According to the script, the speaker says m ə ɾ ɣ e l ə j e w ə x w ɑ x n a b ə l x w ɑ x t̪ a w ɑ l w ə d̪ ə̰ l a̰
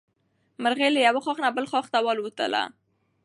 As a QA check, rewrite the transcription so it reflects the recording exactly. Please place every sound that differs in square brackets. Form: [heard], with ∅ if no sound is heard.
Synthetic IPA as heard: m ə ɾ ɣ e l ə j [a] w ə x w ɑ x n a b ə l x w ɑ x t̪ a w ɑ l w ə [t̪] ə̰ l a̰

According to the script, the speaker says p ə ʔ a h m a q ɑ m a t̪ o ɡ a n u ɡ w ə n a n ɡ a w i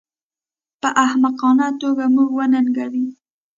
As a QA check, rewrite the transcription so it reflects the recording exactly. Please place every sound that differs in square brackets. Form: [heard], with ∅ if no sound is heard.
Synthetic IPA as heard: p ə ʔ a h m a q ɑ [n] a t̪ o ɡ a [m] u ɡ w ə n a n ɡ a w i

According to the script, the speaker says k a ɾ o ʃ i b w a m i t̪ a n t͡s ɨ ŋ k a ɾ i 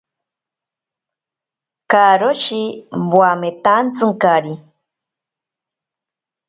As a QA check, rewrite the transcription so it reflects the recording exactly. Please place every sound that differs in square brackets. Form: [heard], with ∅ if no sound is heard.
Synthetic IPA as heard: k a ɾ o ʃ i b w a m [e] t̪ a n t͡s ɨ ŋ k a ɾ i

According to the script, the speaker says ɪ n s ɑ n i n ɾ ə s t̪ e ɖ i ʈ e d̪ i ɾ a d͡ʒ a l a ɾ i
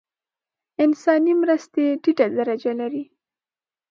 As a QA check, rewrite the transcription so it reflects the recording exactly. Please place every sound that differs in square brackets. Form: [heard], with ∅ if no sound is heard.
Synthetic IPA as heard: ɪ n s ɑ n i [m] ɾ ə s t̪ e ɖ i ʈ [a] d̪ [a] ɾ a d͡ʒ a l a ɾ i

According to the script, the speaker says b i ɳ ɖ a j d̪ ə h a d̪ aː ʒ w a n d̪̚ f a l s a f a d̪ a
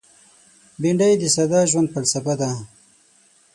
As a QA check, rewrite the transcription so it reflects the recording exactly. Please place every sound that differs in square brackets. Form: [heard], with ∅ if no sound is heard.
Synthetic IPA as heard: b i ɳ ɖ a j d̪ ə [s] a d̪ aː ʒ w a n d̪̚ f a l s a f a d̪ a

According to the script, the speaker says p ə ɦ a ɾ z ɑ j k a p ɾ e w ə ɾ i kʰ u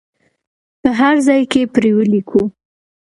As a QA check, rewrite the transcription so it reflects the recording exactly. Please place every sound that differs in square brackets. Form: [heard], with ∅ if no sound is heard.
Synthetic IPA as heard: p ə ɦ a ɾ z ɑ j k [e] p ɾ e w ə [l] i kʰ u

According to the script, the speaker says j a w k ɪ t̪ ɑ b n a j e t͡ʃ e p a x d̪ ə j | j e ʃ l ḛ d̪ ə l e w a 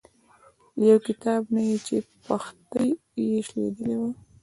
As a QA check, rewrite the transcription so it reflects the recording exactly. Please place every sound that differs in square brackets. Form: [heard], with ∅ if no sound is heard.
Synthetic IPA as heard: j a w k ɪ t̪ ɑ b n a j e t͡ʃ e p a x [t̪] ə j | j e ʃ l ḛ d̪ ə l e w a

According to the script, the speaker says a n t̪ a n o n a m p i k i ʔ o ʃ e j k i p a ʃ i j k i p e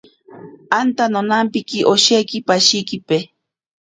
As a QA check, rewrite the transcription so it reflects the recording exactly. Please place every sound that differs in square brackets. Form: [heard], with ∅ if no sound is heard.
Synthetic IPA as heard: a n t̪ a n o n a m p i k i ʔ o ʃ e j k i p a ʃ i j k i p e

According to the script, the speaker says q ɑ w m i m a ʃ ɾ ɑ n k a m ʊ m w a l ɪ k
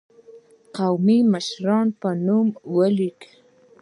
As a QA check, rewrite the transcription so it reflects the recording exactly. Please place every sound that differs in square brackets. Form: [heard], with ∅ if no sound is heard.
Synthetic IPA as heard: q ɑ w m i m a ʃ ɾ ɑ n [p] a [n] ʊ m w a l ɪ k

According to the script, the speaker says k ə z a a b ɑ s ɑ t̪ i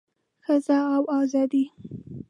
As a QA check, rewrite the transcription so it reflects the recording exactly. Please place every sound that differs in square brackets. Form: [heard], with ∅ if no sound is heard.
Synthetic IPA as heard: [x] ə z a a [w] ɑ [z] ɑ [d̪] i

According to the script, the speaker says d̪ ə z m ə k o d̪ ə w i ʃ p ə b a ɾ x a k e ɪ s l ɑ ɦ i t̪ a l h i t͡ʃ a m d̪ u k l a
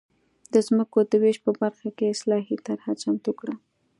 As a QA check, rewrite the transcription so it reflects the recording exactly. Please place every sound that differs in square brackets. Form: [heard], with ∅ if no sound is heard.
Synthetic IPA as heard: d̪ ə z m ə k o d̪ ə w [e] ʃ p ə b a ɾ x a k e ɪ s l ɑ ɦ i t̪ a [ɾ] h [a] t͡ʃ a m [t̪] u k [ɽ] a

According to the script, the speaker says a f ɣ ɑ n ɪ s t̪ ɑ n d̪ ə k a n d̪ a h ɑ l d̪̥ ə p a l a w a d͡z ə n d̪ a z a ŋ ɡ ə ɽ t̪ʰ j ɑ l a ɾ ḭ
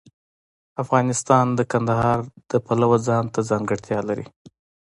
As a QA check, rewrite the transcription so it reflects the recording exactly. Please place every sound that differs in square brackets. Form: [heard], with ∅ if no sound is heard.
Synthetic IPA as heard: a f ɣ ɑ n ɪ s t̪ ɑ n d̪ ə k a n d̪ a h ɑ [ɾ] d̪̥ ə p a l a w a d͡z [ɑ] n [t̪] a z [ɑ] ŋ ɡ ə ɽ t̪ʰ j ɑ l a ɾ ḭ

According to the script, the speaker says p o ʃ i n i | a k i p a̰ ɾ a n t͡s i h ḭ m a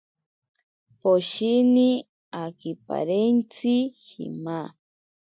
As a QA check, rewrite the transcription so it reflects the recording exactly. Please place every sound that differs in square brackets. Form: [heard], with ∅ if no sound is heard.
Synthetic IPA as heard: p o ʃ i n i | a k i p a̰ ɾ [e] n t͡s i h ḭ m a

